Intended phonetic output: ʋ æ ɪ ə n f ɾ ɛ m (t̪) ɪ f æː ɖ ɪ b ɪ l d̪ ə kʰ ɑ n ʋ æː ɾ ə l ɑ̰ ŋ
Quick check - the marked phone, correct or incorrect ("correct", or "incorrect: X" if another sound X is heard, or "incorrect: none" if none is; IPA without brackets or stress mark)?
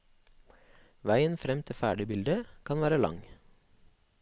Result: incorrect: t̪ʰ